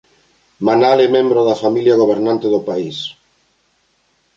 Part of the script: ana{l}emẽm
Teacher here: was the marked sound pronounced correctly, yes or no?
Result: yes